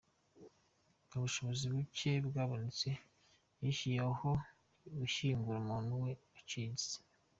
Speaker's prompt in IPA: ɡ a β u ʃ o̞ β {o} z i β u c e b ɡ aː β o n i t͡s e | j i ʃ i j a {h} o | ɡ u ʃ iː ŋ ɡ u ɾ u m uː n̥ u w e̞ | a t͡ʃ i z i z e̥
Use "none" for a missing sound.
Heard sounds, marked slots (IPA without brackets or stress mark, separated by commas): o, h